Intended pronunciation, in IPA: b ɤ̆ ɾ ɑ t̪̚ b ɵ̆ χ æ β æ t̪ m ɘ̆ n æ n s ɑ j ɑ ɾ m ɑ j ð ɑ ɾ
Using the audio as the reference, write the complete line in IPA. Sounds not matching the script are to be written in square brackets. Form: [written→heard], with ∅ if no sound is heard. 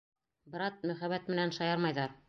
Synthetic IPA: b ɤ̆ ɾ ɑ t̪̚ [b→m] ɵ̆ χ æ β æ t̪ m ɘ̆ n æ n [s→ʃ] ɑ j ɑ ɾ m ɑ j ð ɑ ɾ